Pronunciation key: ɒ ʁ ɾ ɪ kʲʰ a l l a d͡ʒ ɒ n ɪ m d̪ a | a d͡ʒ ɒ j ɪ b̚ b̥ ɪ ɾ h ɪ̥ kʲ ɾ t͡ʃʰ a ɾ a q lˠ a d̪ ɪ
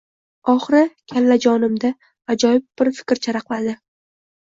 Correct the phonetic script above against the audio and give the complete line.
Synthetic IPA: ɒ χ ɾ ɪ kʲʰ a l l a d͡ʒ ɒ n ɪ m d̪ a | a d͡ʒ ɒ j ɪ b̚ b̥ ɪ ɾ f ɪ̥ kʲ ɾ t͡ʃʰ a ɾ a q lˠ a d̪ ɪ